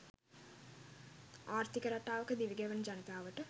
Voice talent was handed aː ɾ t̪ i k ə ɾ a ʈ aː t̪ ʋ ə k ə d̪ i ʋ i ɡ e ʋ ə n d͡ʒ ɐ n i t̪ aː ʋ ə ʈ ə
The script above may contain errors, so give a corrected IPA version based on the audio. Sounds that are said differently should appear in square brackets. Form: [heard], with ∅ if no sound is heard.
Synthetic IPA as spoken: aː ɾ t̪ i k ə ɾ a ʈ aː [∅] ʋ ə k ə d̪ i ʋ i ɡ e ʋ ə n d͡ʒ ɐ n i t̪ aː ʋ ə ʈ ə